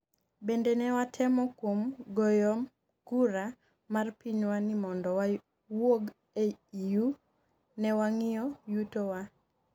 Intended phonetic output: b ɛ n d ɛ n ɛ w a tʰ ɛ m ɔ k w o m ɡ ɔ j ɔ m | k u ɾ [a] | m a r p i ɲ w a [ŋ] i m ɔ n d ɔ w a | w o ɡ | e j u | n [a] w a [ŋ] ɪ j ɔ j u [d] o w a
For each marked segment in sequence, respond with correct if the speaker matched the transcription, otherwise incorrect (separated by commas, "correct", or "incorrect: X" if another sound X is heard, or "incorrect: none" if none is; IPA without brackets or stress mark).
correct, incorrect: n, incorrect: ɛ, correct, incorrect: t